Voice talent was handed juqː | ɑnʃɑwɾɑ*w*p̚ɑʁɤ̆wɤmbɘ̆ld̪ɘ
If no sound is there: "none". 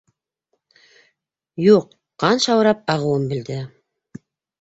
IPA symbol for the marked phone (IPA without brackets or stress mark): none